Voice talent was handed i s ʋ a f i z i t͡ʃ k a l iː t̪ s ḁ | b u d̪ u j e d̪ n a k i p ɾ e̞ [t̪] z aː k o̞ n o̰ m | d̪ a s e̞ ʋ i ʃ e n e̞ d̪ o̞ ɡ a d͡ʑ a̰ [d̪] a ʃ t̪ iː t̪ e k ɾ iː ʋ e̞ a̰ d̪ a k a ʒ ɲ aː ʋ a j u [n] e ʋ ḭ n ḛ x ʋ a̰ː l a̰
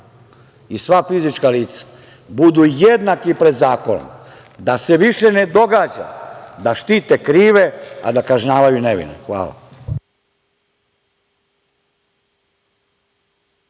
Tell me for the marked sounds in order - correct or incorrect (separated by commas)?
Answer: incorrect, correct, correct